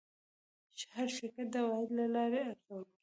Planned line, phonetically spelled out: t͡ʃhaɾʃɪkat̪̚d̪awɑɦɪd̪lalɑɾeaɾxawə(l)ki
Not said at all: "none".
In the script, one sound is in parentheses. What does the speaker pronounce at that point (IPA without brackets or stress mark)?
l